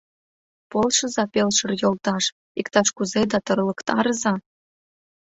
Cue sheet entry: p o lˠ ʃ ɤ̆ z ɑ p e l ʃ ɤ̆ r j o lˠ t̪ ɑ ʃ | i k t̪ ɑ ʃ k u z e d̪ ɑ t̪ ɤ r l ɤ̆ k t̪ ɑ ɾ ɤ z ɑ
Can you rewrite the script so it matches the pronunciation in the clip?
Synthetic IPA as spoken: p o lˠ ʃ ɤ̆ z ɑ p e l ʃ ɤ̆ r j o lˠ t̪ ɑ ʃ | i k t̪ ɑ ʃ k u z e d̪ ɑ t̪ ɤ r l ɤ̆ k t̪ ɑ ɾ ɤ z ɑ